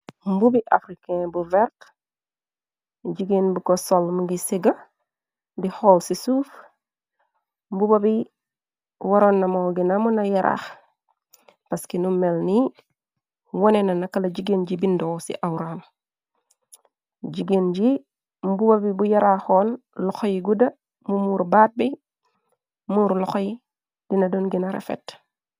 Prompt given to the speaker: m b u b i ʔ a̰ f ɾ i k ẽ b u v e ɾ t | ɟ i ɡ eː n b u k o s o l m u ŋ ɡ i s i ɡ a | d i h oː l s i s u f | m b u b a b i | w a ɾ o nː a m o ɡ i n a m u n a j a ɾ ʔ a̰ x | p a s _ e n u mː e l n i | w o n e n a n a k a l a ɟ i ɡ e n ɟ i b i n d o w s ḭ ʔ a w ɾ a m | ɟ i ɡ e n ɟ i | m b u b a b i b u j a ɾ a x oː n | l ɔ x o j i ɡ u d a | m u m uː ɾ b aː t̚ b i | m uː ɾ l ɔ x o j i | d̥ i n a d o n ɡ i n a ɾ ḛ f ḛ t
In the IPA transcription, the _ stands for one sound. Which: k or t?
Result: k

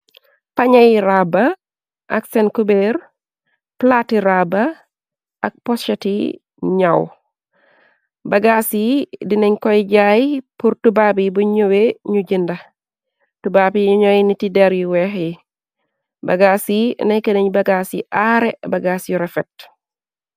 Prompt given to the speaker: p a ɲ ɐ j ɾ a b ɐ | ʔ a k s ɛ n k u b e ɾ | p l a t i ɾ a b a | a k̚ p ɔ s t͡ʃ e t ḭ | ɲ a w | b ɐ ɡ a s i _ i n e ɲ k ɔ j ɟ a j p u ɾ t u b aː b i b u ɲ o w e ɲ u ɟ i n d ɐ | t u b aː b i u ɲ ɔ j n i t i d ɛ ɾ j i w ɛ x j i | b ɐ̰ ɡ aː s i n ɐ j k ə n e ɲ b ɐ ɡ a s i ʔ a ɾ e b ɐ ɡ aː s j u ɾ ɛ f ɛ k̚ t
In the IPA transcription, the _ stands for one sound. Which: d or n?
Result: d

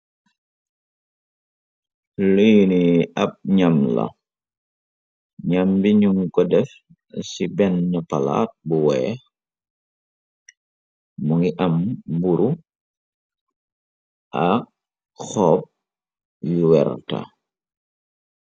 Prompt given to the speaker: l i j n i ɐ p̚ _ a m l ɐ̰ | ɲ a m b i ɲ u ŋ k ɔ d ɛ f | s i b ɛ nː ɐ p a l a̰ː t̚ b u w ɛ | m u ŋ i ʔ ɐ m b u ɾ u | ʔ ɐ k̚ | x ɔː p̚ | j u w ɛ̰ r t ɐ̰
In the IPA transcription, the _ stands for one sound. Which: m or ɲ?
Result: ɲ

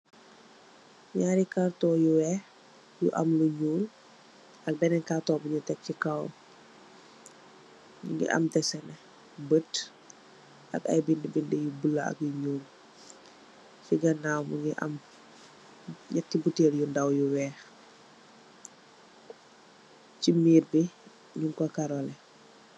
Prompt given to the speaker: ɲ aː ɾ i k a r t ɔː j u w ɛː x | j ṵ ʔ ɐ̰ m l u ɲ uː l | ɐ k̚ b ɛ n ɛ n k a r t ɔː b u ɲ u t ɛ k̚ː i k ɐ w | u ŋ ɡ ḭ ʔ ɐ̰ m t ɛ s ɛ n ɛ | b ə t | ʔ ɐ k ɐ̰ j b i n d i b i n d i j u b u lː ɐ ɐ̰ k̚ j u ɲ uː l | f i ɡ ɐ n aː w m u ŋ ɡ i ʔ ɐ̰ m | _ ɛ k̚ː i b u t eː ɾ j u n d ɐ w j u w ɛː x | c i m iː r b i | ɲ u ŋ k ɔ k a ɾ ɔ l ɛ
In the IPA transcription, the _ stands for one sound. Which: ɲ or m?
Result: ɲ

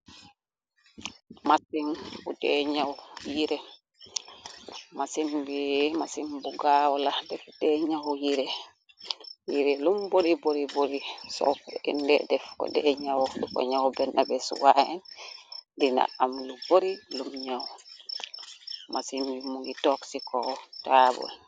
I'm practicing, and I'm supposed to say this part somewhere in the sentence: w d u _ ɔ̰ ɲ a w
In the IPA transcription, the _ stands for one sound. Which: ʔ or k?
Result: k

